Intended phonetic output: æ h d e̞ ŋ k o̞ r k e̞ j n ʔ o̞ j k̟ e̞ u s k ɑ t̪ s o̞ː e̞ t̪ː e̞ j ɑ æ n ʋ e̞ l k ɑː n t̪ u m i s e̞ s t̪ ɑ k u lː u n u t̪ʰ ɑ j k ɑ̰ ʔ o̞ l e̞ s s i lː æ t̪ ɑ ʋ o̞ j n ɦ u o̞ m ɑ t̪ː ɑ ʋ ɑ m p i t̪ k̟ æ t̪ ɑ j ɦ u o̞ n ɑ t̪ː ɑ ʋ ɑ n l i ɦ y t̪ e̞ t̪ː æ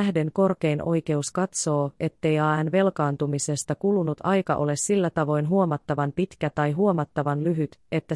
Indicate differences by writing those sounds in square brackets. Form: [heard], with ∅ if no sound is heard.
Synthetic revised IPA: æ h d e̞ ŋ k o̞ r k e̞ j n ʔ o̞ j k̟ e̞ u s k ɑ t̪ s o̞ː e̞ t̪ː e̞ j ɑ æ n ʋ e̞ l k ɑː n t̪ u m i s e̞ s t̪ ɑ k u [l] u n u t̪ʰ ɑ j k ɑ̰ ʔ o̞ l e̞ s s i lː æ t̪ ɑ ʋ o̞ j n ɦ u o̞ m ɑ t̪ː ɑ ʋ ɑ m p i t̪ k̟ æ t̪ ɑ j ɦ u o̞ [m] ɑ t̪ː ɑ ʋ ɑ n l [y] ɦ y t̪ e̞ t̪ː æ